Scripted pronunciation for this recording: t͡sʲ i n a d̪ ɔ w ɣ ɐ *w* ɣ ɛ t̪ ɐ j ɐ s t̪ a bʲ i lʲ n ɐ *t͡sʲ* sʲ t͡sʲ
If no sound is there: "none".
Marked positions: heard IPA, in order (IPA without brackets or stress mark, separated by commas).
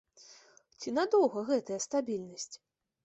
none, none